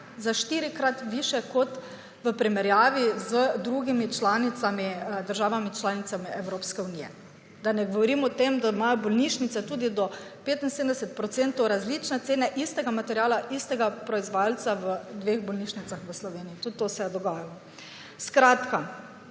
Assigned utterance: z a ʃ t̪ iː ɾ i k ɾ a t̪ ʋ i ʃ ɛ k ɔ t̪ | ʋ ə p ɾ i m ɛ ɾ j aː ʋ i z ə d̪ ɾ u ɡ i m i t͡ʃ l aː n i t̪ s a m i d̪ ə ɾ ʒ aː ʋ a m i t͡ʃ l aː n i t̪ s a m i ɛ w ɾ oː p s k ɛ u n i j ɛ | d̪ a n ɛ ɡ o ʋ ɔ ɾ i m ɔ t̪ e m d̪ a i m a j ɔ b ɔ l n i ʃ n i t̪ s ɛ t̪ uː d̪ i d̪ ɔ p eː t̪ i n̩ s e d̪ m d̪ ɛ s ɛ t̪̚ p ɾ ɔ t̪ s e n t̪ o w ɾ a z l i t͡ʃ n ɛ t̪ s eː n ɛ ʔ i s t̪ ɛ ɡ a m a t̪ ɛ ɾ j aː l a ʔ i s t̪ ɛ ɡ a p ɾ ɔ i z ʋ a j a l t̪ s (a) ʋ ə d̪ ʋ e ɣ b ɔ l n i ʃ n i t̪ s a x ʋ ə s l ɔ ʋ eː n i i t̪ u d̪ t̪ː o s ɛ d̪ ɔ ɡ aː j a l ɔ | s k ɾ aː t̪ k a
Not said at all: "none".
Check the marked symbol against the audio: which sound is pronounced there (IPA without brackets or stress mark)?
a